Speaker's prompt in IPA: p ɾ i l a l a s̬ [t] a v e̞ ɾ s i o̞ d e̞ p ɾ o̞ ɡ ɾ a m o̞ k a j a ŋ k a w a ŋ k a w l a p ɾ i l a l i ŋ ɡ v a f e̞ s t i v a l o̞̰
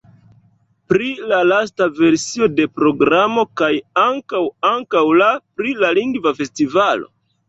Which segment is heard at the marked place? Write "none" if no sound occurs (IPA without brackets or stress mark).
t